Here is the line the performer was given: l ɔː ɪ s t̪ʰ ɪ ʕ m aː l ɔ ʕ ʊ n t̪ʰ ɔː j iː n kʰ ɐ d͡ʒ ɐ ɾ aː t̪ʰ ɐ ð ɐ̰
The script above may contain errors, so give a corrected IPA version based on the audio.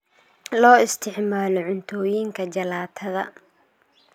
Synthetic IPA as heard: l ɔː ɪ s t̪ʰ ɪ ʕ m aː l ɔ ʕ ʊ n t̪ʰ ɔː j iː ŋ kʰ ɐ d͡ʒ ɐ l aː t̪ʰ ɐ ð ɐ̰